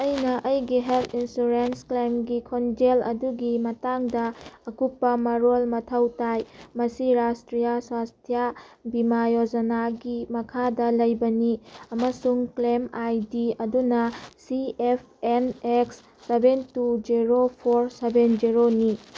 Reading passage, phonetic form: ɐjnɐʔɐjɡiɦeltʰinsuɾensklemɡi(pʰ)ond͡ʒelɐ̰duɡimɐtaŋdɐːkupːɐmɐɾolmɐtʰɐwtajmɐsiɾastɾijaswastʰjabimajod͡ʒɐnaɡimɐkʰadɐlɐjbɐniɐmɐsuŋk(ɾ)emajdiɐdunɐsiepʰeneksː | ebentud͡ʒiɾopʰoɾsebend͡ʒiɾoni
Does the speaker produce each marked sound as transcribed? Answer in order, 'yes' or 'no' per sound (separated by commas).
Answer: no, no